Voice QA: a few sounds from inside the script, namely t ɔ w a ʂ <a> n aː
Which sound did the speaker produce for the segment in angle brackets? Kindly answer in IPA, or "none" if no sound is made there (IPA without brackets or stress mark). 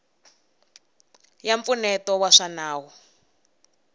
a